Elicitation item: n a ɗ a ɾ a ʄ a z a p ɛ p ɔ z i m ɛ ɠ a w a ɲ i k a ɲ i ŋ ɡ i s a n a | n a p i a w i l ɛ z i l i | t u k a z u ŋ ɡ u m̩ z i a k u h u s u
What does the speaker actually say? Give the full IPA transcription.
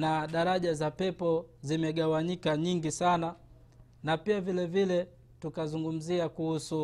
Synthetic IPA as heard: n a ɗ a ɾ a ʄ a z a p ɛ p ɔ z i m ɛ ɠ a w a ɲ i k a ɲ i ŋ ɡ i s a n a | n a p i a v i l ɛ v i l ɛ | t u k a z u ŋ ɡ u m̩ z i a k u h u s u